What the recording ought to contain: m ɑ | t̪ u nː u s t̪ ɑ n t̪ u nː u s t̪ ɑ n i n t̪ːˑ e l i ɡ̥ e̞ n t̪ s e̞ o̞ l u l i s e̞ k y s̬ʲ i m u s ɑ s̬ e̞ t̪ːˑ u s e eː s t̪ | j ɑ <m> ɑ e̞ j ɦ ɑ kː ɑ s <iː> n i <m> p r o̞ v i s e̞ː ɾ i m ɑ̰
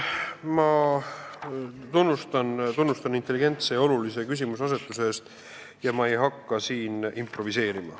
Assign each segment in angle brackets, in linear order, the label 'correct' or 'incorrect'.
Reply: correct, correct, correct

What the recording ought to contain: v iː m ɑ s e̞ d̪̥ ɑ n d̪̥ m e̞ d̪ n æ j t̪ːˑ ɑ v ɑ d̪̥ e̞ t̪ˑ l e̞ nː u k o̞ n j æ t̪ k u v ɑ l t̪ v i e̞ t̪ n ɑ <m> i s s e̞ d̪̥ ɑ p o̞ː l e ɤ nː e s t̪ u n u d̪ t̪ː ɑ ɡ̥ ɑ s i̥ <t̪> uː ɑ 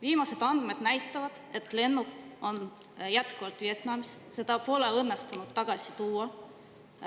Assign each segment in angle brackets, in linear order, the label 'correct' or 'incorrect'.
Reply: correct, correct

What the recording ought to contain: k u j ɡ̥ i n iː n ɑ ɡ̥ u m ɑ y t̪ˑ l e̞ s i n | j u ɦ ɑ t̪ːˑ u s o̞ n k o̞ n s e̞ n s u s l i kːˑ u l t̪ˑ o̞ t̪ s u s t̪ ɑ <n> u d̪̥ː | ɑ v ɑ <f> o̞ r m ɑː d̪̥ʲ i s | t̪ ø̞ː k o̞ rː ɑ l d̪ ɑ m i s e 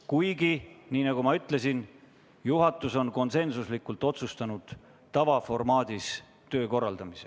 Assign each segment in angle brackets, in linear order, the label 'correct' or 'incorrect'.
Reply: correct, correct

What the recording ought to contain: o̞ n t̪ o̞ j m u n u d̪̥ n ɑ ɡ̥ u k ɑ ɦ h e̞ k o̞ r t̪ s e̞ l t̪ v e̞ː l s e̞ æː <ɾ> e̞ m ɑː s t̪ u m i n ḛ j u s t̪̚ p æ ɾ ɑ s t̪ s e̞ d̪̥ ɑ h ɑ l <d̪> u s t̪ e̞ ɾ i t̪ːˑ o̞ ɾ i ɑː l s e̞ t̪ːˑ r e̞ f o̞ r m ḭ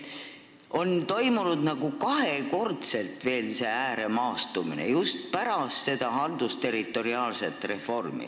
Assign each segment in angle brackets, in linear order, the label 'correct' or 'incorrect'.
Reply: correct, correct

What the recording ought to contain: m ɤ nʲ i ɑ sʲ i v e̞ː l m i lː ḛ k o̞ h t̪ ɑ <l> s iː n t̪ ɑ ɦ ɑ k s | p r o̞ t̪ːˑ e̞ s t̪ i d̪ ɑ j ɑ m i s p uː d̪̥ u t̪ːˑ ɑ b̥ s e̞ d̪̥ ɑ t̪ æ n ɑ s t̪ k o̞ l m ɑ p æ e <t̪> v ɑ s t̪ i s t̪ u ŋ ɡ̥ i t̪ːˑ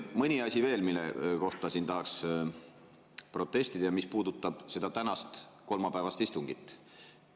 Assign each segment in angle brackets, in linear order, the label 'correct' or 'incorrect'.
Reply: incorrect, incorrect

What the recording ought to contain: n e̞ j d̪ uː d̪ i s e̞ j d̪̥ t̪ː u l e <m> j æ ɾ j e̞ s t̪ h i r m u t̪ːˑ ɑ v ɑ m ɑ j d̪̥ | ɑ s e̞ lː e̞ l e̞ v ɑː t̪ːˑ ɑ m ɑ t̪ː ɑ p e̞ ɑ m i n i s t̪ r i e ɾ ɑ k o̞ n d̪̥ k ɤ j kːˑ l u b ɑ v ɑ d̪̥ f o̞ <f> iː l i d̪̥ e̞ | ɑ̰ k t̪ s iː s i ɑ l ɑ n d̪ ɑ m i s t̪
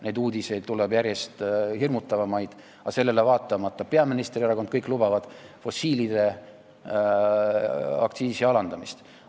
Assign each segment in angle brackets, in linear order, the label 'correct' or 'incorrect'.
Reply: incorrect, incorrect

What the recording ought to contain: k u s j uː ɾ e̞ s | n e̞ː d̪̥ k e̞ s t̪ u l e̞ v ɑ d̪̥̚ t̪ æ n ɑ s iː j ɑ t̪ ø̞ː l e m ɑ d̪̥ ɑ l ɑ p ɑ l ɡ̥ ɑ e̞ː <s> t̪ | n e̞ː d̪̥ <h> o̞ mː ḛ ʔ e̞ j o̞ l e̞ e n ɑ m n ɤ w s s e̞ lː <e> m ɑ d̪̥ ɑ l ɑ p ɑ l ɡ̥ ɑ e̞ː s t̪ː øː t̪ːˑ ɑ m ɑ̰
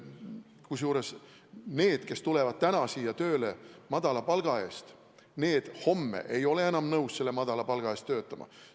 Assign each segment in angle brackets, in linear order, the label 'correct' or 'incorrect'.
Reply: correct, correct, correct

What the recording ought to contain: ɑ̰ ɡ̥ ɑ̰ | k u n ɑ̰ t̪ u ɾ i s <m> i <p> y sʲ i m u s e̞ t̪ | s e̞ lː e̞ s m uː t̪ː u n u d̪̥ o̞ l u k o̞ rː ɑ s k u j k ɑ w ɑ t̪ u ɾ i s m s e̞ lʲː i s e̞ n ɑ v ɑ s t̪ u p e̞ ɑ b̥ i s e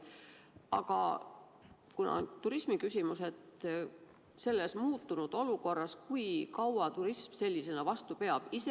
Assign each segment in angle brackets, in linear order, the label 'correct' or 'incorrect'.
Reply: correct, incorrect

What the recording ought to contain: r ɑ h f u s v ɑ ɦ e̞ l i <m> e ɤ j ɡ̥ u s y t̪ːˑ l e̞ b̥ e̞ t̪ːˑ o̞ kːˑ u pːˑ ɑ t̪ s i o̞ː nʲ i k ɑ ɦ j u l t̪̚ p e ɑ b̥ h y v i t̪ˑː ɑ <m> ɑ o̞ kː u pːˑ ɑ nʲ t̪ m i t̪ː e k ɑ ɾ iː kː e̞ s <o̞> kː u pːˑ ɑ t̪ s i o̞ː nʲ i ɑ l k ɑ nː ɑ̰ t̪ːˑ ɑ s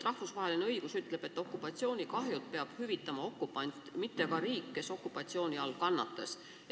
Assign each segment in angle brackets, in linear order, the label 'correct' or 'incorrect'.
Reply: incorrect, correct, correct

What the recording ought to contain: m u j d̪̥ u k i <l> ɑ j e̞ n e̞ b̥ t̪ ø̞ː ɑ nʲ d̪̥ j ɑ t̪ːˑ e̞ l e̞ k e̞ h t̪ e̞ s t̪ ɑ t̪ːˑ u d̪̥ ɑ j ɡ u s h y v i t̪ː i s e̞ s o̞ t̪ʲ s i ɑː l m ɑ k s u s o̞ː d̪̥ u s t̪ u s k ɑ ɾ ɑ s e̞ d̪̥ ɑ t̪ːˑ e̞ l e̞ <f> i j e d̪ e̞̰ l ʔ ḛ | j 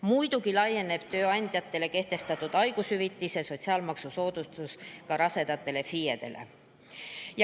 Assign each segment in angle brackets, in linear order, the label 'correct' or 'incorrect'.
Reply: correct, correct

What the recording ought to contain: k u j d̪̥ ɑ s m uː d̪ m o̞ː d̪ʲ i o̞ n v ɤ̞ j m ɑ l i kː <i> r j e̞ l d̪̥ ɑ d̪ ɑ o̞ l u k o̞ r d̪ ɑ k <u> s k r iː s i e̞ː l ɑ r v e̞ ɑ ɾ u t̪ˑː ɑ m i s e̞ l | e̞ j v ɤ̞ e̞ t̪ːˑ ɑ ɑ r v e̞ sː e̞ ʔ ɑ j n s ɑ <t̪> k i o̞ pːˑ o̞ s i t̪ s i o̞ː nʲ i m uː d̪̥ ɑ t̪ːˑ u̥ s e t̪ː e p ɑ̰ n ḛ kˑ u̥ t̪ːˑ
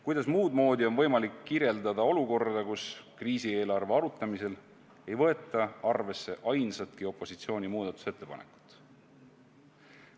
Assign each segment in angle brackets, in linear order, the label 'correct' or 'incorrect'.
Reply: correct, correct, correct

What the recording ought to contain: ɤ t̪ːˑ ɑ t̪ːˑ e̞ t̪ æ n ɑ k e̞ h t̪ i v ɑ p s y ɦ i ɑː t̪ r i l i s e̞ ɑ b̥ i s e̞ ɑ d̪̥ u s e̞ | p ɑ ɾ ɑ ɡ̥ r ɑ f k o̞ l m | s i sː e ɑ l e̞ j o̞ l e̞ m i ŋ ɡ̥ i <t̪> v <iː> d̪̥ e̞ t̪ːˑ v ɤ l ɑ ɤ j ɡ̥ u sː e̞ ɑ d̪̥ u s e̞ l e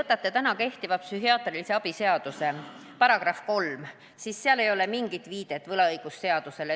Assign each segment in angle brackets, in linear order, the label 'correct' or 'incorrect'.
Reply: correct, correct

